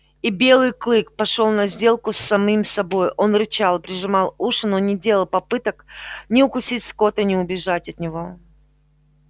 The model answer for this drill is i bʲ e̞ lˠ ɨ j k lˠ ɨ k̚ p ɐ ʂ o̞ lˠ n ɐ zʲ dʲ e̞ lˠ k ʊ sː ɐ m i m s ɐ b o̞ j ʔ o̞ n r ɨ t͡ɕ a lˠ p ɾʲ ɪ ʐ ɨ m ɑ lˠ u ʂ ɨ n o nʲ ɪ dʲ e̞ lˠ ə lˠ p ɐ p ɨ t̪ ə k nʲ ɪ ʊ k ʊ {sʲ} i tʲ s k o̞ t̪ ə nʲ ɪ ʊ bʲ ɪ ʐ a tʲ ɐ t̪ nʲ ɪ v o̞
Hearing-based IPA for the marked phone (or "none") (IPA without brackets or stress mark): sʲ